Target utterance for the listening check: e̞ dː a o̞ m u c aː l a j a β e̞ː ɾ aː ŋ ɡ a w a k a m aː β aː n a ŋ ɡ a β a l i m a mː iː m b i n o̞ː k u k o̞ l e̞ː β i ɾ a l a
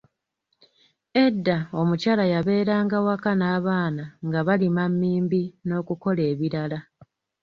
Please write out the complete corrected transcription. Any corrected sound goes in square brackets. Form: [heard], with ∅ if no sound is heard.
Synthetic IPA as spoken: e̞ dː a o̞ m u c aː l a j a β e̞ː ɾ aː ŋ ɡ a w a k a [n] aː β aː n a ŋ ɡ a β a l i m a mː iː m b i n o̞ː k u k o̞ l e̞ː β i ɾ a l a